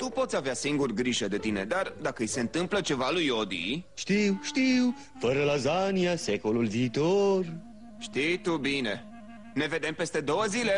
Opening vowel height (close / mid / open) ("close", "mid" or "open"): close